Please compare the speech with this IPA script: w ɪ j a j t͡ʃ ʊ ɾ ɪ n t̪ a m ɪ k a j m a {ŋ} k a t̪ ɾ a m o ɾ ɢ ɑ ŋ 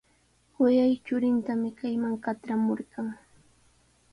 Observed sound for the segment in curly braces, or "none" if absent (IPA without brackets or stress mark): ŋ